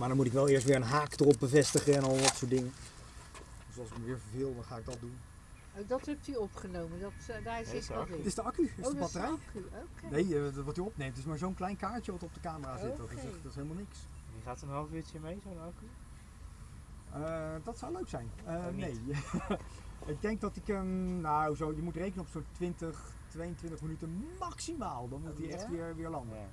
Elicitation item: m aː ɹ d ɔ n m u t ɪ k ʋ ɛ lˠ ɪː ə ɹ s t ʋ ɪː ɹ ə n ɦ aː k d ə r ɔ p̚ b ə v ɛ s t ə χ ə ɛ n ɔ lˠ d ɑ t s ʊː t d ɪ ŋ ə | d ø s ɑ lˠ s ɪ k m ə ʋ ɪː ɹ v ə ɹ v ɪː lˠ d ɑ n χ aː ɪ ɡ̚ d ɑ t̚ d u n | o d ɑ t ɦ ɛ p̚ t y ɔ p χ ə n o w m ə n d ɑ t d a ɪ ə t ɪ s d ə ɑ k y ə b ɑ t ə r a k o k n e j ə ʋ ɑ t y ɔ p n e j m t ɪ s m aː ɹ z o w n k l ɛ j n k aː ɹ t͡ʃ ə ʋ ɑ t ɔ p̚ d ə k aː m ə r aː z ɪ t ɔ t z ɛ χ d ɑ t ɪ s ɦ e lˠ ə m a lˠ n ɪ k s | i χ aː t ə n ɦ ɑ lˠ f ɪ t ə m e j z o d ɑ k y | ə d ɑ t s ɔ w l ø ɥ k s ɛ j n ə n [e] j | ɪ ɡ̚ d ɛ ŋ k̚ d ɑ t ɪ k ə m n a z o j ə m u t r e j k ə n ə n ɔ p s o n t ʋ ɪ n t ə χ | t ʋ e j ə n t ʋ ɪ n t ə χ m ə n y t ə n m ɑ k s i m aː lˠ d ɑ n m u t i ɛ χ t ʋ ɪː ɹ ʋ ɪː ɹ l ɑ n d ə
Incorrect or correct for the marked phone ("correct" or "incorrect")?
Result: correct